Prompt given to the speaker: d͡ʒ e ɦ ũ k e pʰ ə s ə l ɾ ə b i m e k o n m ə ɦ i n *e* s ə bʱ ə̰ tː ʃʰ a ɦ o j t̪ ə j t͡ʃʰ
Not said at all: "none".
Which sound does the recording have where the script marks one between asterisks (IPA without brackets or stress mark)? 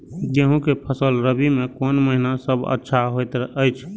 a